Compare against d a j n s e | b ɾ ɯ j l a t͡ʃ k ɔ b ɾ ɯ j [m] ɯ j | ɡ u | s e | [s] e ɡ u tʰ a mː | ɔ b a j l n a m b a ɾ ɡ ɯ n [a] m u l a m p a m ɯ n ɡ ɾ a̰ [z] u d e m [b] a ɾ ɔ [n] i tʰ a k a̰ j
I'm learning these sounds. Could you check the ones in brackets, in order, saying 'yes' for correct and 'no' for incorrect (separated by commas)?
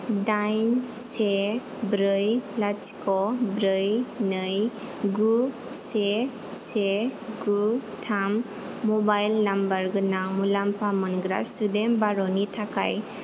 no, yes, yes, no, yes, yes